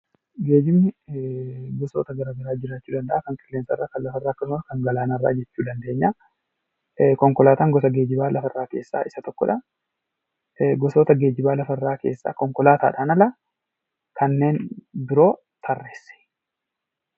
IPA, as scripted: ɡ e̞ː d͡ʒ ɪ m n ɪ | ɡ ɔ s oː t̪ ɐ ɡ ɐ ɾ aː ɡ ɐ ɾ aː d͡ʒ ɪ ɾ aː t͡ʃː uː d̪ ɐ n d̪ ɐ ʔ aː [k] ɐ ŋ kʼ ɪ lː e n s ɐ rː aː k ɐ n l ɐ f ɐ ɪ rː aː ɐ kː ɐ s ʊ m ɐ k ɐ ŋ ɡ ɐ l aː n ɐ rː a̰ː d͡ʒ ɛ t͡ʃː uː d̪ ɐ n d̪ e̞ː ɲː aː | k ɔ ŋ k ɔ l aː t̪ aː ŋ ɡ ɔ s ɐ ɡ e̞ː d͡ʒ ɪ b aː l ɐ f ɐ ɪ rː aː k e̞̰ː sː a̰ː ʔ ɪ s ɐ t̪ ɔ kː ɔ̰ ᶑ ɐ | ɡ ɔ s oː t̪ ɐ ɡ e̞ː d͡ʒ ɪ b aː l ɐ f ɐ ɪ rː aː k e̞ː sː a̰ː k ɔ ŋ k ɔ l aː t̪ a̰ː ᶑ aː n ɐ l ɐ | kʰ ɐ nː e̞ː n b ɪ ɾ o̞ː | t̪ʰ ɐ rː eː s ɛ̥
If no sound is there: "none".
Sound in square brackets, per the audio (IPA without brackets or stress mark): k